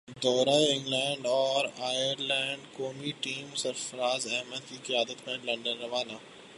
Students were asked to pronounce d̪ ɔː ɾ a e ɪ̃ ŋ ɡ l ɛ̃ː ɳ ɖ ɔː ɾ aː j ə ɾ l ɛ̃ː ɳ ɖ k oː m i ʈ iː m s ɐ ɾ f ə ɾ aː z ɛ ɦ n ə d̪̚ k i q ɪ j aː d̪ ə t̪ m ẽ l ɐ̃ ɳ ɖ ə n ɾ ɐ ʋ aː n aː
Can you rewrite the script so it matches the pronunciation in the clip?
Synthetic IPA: d̪ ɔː ɾ a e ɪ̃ ŋ ɡ l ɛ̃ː ɳ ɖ ɔː ɾ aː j ə ɾ l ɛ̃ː ɳ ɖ k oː m i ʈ iː m s ɐ ɾ f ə ɾ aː z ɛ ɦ m ə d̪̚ k i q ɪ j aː d̪ ə t̪ m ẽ l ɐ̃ ɳ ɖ ə n ɾ ɐ ʋ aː n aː